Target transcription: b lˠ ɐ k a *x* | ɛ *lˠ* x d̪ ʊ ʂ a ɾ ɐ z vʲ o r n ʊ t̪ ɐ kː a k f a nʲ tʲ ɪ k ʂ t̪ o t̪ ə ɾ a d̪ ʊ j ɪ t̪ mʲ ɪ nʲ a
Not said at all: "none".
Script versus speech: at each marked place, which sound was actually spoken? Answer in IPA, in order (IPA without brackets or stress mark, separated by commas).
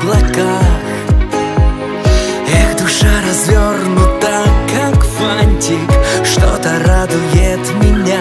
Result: x, none